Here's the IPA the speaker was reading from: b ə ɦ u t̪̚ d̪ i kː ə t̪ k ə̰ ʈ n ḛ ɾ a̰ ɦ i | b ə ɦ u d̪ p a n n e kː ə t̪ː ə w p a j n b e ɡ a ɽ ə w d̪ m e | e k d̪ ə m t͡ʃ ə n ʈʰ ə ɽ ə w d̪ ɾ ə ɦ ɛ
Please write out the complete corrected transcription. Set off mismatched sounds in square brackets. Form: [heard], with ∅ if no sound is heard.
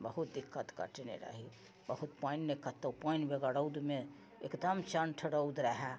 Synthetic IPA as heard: b ə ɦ u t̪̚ d̪ i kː ə t̪ k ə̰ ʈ n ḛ ɾ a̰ ɦ i | b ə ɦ u [t̪] p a n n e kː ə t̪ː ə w p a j n b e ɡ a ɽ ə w d̪ m e | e k d̪ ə m t͡ʃ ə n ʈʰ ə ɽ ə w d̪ ɾ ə ɦ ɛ